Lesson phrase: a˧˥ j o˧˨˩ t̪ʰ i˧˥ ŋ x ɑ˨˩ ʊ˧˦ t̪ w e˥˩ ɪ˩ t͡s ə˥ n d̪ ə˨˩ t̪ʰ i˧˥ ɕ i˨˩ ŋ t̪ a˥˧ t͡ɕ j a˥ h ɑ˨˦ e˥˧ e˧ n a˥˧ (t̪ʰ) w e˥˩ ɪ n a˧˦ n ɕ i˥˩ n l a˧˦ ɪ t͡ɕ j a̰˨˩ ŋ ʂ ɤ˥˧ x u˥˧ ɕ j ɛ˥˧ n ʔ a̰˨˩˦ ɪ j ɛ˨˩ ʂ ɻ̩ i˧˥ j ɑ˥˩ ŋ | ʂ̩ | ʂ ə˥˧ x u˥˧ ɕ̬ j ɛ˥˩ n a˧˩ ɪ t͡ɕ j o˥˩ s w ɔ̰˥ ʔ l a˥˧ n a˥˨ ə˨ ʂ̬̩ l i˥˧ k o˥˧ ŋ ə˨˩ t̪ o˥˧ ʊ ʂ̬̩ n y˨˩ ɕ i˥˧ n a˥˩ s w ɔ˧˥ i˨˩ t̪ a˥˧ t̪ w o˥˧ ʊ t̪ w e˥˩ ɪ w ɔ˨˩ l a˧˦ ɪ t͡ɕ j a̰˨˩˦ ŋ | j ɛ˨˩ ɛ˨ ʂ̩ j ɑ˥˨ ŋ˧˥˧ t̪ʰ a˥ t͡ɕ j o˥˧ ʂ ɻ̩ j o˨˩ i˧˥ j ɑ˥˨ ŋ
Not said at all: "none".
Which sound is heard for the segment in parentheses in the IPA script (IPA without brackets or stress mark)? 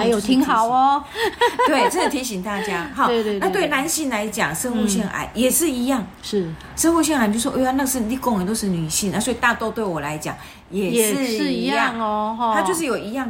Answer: t̪